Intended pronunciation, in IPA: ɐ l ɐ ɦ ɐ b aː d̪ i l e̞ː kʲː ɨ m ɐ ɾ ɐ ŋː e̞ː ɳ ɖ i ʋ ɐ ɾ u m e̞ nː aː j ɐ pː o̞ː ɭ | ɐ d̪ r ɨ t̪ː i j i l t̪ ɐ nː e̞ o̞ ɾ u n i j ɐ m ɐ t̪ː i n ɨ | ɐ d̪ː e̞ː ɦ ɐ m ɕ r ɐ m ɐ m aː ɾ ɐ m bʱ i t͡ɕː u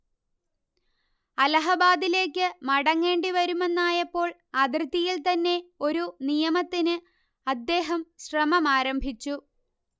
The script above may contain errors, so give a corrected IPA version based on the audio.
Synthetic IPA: ɐ l ɐ ɦ ɐ b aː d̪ i l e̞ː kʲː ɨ m ɐ ɽ ɐ ŋː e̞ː ɳ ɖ i ʋ ɐ ɾ u m e̞ nː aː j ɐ pː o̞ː ɭ | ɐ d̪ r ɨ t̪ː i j i l t̪ ɐ nː e̞ o̞ ɾ u n i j ɐ m ɐ t̪ː i n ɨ | ɐ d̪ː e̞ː ɦ ɐ m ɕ r ɐ m ɐ m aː ɾ ɐ m bʱ i t͡ɕː u